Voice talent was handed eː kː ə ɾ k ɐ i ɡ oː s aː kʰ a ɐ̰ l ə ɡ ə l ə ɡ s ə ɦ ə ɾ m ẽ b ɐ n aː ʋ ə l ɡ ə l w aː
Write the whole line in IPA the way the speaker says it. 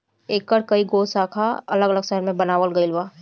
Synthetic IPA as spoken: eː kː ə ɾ k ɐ i ɡ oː s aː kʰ a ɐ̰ l ə ɡ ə l ə ɡ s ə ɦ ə ɾ m ẽ b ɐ n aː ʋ ə l ɡ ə l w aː